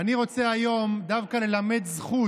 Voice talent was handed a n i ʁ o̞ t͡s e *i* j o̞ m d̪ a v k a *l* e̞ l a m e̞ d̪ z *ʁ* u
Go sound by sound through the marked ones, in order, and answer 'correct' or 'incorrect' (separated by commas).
incorrect, correct, incorrect